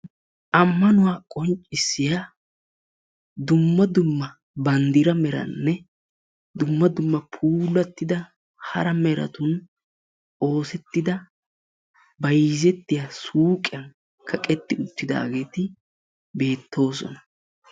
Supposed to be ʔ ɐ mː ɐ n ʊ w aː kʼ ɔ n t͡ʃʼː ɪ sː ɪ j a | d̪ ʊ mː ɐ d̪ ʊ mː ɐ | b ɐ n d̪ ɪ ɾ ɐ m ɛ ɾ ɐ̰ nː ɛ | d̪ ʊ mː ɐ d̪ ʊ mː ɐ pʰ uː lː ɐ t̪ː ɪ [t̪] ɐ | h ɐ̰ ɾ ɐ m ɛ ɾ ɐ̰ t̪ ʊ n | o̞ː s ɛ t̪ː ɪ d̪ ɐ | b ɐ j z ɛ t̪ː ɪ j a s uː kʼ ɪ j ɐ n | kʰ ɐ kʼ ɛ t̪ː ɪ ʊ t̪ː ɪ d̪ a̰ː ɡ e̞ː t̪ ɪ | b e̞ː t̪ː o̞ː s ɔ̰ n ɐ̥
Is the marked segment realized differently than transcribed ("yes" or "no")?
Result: yes